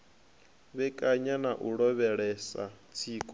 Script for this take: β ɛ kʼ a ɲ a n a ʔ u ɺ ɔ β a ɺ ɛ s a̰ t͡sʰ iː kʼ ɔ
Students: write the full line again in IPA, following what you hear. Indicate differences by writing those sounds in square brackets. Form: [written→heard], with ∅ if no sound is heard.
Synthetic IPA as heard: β ɛ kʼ a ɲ a n a ʔ u ɺ ɔ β [a→ɛ] ɺ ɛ s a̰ t͡sʰ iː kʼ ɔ